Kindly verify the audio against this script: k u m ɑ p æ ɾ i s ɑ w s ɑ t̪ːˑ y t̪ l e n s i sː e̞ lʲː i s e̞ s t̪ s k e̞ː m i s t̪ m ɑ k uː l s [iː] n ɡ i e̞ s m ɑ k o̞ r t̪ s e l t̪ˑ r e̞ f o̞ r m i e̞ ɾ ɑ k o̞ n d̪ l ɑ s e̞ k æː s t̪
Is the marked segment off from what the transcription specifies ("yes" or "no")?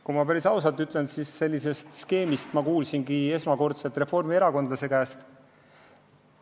yes